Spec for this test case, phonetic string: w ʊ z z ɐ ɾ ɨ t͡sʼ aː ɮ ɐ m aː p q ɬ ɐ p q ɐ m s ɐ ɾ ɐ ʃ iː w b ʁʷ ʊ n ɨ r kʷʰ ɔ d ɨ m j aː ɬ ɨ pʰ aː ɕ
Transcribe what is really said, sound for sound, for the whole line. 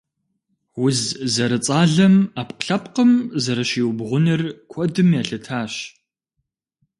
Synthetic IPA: w ʊ z z ɐ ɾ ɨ t͡sʼ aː ɮ ɐ m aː p q ɬ ɐ p q ə m z ɐ ɾ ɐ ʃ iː w b ʁʷ ʊ n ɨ r kʷʰ ɔ d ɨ m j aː ɬ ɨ tʰ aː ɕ